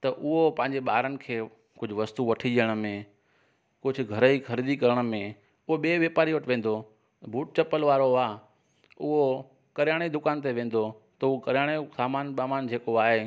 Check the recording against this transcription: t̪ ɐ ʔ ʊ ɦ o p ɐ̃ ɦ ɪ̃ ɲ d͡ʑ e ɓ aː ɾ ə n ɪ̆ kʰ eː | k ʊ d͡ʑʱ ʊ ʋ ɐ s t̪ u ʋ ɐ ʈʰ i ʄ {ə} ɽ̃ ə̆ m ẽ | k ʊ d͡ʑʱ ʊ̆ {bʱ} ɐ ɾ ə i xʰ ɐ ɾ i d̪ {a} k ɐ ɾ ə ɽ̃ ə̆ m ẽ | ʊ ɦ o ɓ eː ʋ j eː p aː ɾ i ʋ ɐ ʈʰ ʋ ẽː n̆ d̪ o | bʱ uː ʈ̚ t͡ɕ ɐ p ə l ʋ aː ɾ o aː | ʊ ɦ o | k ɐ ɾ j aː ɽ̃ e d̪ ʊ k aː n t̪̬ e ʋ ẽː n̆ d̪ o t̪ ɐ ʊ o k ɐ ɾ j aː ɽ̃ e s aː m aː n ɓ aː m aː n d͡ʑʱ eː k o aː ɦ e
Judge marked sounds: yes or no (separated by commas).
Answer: yes, no, no